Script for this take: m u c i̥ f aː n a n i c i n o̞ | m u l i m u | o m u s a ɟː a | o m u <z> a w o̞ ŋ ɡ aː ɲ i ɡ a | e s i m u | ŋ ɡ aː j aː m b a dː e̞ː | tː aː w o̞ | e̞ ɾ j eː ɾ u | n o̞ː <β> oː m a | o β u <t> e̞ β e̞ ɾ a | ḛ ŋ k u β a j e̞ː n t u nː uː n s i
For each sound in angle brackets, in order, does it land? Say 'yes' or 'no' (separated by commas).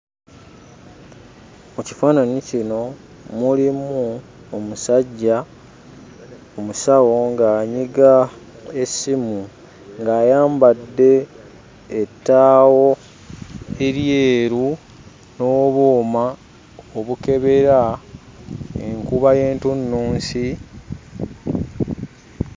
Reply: no, yes, no